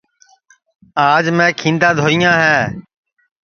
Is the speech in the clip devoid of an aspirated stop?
no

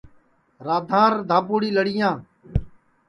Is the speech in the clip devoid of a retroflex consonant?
no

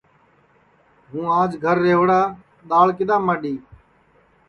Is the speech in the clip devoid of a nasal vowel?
no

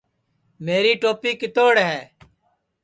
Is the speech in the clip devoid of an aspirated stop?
yes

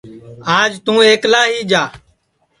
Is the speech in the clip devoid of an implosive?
yes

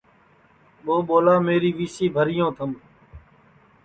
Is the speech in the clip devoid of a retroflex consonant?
yes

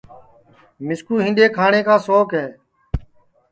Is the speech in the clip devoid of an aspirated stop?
no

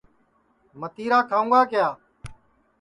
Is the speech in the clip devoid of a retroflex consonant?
yes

